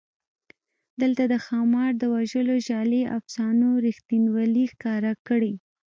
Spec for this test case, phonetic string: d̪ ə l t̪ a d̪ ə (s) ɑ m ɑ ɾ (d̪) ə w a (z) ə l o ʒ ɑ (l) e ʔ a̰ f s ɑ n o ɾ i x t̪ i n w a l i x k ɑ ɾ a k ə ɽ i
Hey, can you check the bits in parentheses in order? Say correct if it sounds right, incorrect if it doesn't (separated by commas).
incorrect, correct, incorrect, correct